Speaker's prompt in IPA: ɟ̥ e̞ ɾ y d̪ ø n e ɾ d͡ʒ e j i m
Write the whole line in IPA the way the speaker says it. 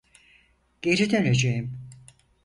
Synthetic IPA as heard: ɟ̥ e̞ ɾ i d̪ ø n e d͡ʒ e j i m